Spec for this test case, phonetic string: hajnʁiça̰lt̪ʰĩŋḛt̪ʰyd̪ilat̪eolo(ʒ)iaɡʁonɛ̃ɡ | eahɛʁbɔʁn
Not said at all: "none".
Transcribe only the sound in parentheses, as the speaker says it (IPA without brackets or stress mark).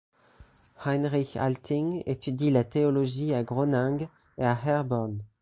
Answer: ʒ